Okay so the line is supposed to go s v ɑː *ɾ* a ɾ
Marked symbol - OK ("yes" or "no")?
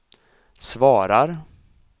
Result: yes